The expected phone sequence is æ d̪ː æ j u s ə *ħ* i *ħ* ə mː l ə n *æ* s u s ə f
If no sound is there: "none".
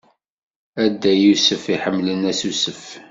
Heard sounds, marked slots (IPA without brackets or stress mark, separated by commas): f, ħ, æ